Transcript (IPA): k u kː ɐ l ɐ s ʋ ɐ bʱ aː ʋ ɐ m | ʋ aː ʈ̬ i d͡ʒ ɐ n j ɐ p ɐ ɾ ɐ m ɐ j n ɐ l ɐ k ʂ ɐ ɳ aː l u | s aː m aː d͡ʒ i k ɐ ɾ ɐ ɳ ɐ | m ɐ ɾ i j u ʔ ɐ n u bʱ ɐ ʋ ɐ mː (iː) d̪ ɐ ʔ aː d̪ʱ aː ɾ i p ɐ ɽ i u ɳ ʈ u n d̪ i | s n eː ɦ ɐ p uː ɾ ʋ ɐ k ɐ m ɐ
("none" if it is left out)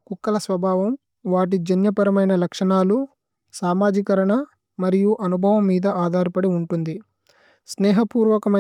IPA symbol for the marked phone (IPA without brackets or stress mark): iː